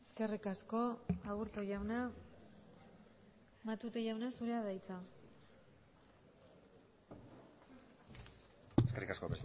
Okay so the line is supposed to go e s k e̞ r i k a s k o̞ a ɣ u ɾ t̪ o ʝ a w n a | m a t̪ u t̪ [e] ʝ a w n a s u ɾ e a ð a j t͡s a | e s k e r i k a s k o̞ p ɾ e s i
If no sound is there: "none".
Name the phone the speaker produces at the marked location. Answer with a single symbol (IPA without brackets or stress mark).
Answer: e